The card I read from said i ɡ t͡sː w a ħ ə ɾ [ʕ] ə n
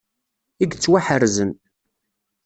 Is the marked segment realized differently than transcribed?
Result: yes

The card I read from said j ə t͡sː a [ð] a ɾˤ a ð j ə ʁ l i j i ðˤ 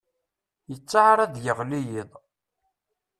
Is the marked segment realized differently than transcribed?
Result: yes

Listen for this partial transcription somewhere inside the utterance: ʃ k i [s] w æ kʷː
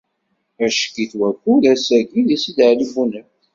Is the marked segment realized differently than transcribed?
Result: yes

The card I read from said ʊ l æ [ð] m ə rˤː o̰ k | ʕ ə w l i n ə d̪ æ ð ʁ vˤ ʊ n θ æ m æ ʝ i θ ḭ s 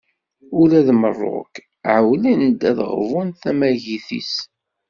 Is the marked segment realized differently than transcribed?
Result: no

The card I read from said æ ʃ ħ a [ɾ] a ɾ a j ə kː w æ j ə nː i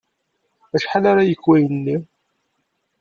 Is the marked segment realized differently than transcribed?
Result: yes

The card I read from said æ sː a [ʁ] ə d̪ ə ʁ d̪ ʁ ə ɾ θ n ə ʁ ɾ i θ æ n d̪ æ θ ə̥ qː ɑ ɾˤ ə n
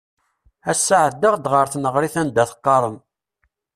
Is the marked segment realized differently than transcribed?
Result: yes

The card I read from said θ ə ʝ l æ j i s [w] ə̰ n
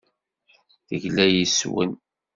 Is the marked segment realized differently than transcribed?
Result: no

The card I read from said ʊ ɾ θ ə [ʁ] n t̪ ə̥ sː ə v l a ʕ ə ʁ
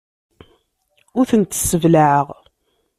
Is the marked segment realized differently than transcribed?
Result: yes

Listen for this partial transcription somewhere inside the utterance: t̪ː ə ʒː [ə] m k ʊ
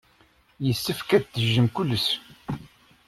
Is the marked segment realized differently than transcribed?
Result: no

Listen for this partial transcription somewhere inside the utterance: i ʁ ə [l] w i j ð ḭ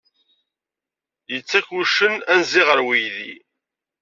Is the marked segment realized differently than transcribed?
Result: yes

